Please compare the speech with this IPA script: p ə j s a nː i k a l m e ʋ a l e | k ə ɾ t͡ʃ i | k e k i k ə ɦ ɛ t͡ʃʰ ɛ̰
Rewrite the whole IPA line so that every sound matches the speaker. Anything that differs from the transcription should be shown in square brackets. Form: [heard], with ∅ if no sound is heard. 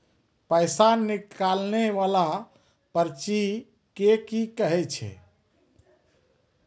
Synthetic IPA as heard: p ə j s a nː i k a l [n] e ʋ a l [a] | [p] ə ɾ t͡ʃ i | k e k i k ə ɦ ɛ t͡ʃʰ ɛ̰